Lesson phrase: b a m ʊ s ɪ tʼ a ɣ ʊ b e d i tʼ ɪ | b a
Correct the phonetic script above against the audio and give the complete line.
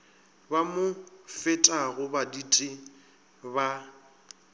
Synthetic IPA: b a m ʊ f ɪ tʼ a ɣ ʊ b a d i tʼ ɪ | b a